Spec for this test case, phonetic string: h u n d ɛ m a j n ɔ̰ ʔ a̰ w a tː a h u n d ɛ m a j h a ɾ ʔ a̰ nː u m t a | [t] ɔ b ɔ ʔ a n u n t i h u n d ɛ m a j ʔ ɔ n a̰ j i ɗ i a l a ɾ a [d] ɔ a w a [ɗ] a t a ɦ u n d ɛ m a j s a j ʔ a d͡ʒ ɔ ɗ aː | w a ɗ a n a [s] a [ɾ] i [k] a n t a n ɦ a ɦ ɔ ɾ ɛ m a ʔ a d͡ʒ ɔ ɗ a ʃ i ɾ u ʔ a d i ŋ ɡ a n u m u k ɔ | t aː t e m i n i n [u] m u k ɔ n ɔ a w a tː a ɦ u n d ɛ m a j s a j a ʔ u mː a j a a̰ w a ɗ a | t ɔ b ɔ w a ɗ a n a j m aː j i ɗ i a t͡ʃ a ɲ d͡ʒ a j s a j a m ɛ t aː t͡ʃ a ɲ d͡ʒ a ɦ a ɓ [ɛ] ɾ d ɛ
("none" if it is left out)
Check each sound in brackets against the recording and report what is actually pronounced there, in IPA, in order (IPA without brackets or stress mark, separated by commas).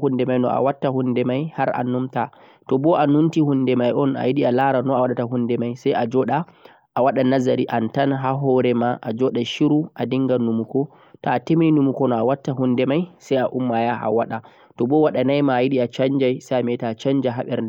t, n, ɗ, z, ɾ, ʔ, u, ɛ